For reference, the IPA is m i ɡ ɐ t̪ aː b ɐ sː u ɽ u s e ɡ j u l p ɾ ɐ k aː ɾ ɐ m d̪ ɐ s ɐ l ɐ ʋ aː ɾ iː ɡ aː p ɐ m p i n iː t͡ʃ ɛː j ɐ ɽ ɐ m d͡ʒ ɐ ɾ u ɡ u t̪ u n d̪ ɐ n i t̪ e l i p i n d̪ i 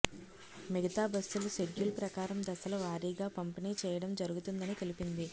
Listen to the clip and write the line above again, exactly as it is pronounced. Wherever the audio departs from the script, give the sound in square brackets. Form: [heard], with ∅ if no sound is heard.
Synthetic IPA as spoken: m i ɡ ɐ t̪ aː b ɐ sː u [l] u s e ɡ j u l p ɾ ɐ k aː ɾ ɐ m d̪ ɐ s ɐ l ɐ ʋ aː ɾ iː ɡ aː p ɐ m p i n iː t͡ʃ ɛː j ɐ ɽ ɐ m d͡ʒ ɐ ɾ u ɡ u t̪ u n d̪ ɐ n i t̪ e l i p i n d̪ i